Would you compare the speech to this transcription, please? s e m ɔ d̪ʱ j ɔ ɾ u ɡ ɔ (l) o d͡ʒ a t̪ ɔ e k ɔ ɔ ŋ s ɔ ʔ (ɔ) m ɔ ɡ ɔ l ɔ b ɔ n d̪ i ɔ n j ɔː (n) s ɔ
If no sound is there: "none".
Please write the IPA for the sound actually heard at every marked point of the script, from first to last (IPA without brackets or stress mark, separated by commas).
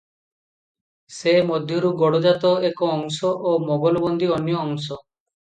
ɽ, o, ŋ